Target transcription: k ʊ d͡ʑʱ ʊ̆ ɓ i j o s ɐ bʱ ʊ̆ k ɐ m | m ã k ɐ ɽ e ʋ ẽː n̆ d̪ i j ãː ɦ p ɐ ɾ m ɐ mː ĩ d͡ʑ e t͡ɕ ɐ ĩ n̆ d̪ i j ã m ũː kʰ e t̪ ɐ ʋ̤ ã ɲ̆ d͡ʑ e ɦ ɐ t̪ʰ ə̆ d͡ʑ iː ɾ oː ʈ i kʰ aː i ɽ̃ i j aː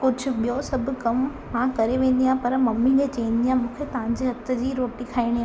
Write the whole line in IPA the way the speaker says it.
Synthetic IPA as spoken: k ʊ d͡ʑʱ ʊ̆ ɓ i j o s ɐ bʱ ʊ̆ k ɐ m | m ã k ɐ ɾ e ʋ ẽː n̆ d̪ i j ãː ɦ p ɐ ɾ m ɐ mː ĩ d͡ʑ e t͡ɕ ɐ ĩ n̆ d̪ i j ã m ũː kʰ e t̪ ɐ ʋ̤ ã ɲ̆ d͡ʑ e ɦ ɐ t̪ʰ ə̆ d͡ʑ iː ɾ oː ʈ i kʰ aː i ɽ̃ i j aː